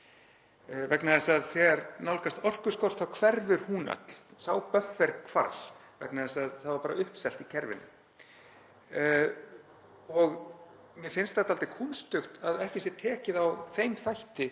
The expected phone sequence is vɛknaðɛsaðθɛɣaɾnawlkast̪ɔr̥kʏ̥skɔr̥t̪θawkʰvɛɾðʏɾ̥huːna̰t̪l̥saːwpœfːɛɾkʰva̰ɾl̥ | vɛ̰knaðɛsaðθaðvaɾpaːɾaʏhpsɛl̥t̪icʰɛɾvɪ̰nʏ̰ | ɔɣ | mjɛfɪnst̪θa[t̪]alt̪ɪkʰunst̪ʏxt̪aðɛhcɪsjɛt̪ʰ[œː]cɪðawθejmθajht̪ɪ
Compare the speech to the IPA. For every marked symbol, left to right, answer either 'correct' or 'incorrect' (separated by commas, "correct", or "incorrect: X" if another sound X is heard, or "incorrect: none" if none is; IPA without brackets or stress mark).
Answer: correct, incorrect: ɛː